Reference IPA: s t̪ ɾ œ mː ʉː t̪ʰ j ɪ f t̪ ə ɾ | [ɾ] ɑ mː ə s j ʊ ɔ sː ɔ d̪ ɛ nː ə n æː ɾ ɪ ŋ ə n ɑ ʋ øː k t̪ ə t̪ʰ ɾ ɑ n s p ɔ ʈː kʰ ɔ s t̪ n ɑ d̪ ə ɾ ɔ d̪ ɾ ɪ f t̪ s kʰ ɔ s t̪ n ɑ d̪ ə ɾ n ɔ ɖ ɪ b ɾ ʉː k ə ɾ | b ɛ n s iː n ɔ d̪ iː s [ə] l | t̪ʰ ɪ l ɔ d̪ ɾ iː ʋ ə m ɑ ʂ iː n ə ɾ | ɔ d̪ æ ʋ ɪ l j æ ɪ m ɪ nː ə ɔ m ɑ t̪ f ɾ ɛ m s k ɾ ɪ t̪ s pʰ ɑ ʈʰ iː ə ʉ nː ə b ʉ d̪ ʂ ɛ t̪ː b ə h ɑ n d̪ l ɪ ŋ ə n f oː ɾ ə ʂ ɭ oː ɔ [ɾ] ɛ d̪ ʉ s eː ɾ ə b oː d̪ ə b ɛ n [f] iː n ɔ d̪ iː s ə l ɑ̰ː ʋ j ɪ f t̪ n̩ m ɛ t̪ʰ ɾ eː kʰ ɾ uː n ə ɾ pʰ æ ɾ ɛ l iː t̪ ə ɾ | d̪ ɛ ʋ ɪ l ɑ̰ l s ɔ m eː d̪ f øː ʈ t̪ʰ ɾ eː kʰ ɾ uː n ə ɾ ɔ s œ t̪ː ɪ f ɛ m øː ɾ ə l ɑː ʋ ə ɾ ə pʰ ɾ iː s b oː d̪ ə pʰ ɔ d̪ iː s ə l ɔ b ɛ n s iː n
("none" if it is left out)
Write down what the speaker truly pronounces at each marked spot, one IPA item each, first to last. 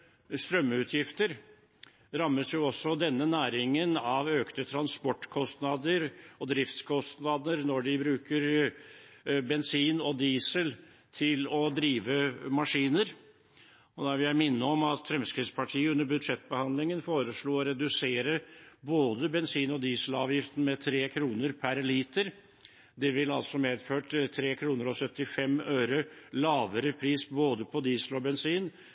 ɾ, ə, ɾ, s

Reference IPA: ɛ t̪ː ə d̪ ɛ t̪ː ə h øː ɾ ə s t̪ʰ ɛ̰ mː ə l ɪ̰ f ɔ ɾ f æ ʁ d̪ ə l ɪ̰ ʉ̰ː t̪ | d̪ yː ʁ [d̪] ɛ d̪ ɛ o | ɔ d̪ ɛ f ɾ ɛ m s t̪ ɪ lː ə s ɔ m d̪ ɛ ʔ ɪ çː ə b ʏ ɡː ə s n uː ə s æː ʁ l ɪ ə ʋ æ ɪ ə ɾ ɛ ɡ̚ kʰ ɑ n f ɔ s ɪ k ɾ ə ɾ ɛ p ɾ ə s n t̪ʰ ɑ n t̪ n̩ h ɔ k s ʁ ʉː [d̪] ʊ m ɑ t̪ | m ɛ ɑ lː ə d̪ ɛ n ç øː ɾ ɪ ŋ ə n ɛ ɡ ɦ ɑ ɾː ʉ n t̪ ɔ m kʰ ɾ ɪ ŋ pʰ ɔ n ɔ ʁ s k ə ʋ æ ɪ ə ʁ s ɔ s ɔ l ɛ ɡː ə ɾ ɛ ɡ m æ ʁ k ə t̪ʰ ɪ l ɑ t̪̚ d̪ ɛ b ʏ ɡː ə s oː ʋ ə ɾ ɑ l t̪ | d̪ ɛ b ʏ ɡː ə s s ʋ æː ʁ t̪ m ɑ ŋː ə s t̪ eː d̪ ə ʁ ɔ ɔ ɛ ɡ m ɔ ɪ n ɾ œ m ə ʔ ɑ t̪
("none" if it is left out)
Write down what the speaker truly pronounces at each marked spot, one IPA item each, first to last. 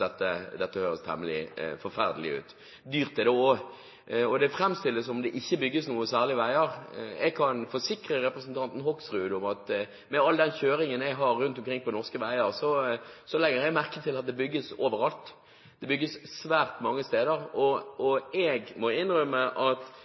t̪, d̪

